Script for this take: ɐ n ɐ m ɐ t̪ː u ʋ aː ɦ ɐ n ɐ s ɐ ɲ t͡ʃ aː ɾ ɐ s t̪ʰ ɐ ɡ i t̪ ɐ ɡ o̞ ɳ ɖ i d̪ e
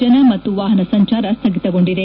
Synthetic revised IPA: ɐ n ɐ m ɐ t̪ː u ʋ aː ɦ ɐ n ɐ s ɐ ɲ t͡ʃ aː ɾ ɐ s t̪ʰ ɐ ɡ i t̪ ɐ ɡ o̞ ɳ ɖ i d̪ e